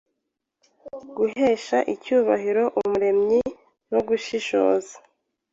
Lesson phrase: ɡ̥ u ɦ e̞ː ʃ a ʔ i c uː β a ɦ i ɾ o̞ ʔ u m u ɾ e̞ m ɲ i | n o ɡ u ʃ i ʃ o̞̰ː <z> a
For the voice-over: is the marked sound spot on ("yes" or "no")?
yes